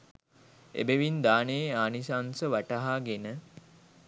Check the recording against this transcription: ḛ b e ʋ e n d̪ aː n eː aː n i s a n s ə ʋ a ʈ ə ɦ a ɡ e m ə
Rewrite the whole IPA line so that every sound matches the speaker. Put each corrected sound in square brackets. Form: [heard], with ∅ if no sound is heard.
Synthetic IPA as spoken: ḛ b e ʋ [i] n d̪ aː n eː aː n i s a n s ə ʋ a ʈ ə ɦ a ɡ e [n] ə